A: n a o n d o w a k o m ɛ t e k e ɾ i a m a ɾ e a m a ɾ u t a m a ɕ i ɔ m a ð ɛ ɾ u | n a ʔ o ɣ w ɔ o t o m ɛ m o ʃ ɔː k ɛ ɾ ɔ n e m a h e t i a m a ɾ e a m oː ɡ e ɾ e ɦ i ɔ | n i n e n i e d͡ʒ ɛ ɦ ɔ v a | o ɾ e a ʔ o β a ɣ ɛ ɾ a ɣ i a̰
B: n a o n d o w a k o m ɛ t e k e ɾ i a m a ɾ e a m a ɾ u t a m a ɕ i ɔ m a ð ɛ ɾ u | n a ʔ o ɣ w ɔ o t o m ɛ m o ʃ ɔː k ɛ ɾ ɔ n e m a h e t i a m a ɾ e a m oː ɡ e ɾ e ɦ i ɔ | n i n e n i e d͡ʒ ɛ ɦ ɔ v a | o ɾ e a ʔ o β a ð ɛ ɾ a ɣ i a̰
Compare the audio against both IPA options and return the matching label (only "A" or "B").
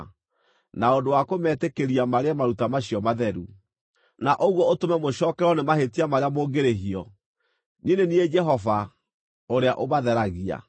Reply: B